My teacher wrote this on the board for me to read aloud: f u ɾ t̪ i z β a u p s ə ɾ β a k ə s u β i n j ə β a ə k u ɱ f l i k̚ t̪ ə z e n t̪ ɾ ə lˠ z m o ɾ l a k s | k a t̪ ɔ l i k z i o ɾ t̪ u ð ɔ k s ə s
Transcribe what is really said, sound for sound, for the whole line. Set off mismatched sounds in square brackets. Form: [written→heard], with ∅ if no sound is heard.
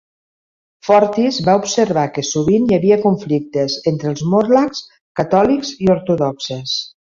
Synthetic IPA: f [u→ɔ] ɾ t̪ i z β a u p s ə ɾ β a k ə s u β i n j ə β [a→i] ə k u ɱ f l i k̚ t̪ ə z e n t̪ ɾ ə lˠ z m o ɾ l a k s | k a t̪ ɔ l i k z i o ɾ t̪ u ð ɔ k s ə s

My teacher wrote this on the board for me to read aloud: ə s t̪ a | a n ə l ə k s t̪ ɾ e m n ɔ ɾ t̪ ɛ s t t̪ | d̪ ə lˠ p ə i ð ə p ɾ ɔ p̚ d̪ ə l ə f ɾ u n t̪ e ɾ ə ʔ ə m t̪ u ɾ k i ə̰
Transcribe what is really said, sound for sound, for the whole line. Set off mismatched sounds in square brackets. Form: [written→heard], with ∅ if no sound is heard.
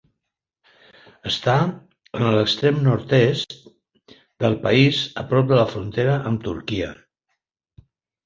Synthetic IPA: ə s t̪ a | [a→ə] n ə l ə k s t̪ ɾ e m n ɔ ɾ t̪ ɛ s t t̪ | d̪ ə lˠ p ə i [ð→z] ə p ɾ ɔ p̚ d̪ ə l ə f ɾ u n t̪ e ɾ ə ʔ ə m t̪ u ɾ k i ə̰

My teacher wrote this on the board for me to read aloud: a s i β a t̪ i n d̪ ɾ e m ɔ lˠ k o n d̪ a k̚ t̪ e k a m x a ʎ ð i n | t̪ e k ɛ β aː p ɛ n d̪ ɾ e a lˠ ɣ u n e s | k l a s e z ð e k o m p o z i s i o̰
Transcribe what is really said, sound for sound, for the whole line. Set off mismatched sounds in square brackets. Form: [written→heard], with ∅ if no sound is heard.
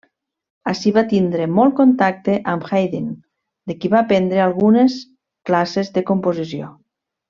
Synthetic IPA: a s i β a t̪ i n d̪ ɾ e m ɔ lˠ k o n [d̪→t̪] a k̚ t̪ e [k→ʔ] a m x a [ʎ→j] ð i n | [t̪→d̪] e k [ɛ→i] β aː p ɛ n d̪ ɾ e a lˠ ɣ u n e s | k l a s e z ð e k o m p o z i s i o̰

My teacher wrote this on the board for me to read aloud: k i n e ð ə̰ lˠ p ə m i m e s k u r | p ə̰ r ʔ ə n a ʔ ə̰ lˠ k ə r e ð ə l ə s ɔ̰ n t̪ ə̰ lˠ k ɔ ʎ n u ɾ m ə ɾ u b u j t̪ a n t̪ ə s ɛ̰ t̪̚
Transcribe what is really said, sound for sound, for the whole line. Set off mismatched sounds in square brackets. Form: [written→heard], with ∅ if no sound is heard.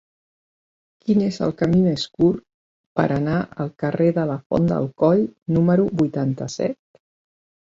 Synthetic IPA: k i n e [ð→z] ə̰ lˠ [p→k] ə m i m e s k u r | p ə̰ [r→ɾ] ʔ ə n a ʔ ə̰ lˠ k ə r e ð ə l ə [s→f] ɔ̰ n [t̪→d̪] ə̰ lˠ k ɔ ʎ n u [ɾ→∅] m ə ɾ u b u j t̪ a n t̪ ə s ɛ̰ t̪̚

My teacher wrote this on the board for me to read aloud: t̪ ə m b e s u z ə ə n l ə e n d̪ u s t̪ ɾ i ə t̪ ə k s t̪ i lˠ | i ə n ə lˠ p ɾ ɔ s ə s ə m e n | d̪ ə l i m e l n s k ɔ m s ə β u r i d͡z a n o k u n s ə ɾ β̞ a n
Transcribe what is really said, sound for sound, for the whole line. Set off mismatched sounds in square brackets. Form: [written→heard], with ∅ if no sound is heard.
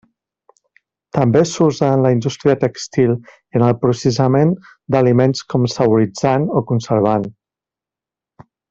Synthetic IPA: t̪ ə m b e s u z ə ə n l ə [e→i] n d̪ u s t̪ ɾ i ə t̪ ə k s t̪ i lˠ | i ə n ə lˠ p ɾ [ɔ→u] s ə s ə m e n | d̪ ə l i m e [l→∅] n s k ɔ m s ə β u [r→ɾ] i d͡z a n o k u n s ə ɾ β̞ a n

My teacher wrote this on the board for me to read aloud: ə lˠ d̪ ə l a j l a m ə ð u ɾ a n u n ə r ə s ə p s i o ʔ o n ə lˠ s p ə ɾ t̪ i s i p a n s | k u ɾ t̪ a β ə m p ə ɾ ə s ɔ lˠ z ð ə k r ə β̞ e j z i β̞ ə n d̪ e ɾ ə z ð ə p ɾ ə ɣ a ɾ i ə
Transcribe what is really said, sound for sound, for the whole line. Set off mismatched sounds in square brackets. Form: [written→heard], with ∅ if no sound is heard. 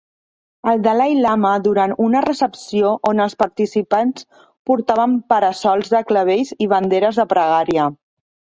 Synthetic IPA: ə lˠ d̪ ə l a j l a m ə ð u ɾ a n u n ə r ə s ə p s i o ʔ o n ə lˠ s p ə ɾ t̪ i s i p a n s | [k→p] u ɾ t̪ a β ə m p ə ɾ ə s ɔ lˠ z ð ə k [r→l] ə β̞ e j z i β̞ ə n d̪ e ɾ ə z ð ə p ɾ ə ɣ a ɾ i ə

